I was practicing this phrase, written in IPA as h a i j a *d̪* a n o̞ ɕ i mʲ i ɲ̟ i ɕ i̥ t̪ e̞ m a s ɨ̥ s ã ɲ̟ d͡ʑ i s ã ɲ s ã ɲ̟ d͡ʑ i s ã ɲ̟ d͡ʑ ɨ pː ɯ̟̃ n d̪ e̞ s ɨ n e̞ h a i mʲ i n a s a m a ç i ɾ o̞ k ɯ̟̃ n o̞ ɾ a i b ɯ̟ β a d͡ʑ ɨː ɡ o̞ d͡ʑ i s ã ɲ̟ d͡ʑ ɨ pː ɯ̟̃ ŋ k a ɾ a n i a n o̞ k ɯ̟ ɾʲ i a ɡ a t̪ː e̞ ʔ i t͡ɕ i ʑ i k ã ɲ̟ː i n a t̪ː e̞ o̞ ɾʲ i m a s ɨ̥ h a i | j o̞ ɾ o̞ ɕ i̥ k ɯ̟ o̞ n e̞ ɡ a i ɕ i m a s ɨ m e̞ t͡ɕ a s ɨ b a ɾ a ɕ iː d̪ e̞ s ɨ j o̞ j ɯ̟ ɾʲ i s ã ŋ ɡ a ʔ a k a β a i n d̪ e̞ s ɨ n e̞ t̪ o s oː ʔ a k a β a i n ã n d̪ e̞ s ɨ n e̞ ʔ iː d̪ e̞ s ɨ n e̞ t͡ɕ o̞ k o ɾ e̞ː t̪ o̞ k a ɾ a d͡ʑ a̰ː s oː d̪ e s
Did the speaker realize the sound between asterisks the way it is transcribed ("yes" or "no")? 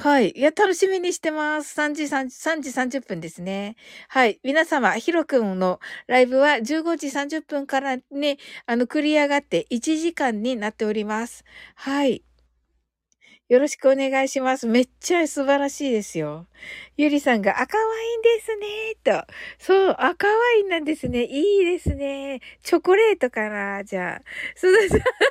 no